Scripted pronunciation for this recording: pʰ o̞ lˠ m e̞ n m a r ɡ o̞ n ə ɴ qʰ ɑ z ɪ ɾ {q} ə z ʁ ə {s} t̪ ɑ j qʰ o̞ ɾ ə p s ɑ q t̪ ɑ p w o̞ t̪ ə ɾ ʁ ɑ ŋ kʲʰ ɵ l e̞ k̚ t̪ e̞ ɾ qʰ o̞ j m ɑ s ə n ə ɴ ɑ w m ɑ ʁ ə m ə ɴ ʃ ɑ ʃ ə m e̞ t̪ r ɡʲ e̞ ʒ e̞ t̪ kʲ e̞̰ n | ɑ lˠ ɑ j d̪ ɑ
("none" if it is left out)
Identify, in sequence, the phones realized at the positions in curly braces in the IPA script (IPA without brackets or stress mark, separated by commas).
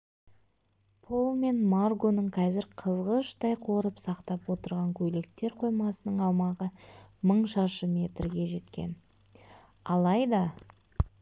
qʰ, ʃ